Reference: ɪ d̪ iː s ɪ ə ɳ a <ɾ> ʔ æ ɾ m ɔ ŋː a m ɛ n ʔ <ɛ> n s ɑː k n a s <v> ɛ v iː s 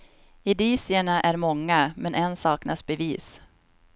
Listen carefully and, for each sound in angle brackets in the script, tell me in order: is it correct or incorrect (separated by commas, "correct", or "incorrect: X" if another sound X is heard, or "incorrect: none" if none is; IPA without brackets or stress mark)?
incorrect: none, correct, incorrect: b